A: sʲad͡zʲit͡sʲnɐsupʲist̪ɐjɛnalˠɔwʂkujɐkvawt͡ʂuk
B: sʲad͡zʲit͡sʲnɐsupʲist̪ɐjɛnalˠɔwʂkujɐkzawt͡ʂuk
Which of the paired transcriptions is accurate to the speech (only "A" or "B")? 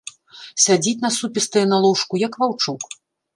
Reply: A